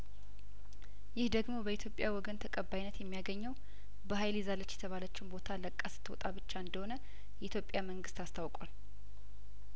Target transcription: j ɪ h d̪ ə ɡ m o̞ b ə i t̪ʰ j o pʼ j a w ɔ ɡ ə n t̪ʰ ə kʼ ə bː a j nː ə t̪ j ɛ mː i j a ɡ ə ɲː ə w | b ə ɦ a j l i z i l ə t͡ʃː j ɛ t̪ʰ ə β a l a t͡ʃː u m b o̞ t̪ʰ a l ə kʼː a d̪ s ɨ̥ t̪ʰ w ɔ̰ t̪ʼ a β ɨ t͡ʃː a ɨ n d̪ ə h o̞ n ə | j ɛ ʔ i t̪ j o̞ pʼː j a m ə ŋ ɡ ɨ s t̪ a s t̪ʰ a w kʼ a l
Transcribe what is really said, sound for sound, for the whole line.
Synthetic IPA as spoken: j ɪ h d̪ ə ɡ m o̞ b ə i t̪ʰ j o pʼ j a w ɔ ɡ ə n t̪ʰ ə kʼ ə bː a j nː ə t̪ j ɛ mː i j a ɡ ə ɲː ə w | b ə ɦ a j l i z a l ə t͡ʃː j ɛ t̪ʰ ə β a l ə t͡ʃː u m b o̞ t̪ʰ a l ə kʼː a s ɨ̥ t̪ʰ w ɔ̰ t̪ʼ a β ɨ t͡ʃː a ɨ n d̪ ə h o̞ n ə | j ɛ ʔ i t̪ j o̞ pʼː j a m ə ŋ ɡ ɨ s t̪ a s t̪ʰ a w kʼ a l